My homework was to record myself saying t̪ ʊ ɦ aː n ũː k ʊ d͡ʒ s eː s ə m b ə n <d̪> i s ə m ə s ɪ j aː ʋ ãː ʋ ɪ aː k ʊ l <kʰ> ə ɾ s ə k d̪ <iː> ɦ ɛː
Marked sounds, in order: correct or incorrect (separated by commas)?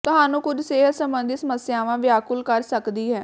correct, incorrect, correct